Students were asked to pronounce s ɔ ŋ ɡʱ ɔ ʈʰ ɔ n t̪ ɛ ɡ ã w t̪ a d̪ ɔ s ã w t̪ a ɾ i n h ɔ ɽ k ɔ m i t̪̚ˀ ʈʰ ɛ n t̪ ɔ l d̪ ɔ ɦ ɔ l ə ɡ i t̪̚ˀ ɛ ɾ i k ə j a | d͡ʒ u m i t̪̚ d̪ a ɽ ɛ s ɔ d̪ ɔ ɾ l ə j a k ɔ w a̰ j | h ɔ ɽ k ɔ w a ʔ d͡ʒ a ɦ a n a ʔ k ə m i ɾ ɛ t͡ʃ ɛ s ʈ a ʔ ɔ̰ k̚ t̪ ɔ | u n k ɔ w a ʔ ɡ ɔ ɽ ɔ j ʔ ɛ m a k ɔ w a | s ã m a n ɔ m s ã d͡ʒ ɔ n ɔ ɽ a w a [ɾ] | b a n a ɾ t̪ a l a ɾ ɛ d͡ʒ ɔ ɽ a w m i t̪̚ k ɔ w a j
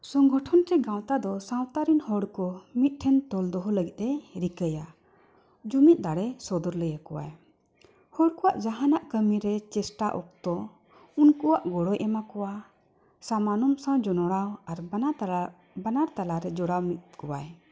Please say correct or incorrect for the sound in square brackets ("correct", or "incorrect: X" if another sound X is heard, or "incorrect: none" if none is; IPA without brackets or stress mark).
correct